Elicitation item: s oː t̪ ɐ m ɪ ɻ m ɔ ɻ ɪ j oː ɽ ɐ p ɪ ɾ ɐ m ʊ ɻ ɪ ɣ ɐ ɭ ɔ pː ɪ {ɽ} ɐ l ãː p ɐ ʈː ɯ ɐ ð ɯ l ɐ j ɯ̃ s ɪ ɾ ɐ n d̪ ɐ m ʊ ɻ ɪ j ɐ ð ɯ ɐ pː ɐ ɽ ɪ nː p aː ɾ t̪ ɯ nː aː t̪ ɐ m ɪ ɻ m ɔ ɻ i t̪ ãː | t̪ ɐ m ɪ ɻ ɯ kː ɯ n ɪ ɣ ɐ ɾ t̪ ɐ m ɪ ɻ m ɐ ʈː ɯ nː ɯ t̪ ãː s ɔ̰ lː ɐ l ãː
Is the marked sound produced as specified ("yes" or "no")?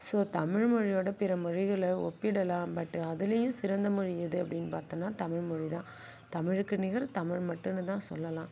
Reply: yes